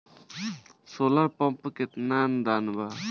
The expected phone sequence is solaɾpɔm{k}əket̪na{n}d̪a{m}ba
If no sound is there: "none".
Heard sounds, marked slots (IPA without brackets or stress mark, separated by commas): p, n, n